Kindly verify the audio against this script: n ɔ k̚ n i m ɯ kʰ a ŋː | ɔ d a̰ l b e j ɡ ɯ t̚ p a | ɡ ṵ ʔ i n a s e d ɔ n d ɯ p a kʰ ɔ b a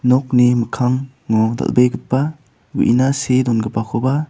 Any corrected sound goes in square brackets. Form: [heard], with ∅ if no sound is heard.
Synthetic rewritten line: n ɔ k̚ n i m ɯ kʰ a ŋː | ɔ d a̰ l b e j ɡ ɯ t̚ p a | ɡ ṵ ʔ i n a s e d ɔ n [ɡ] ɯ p a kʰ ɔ b a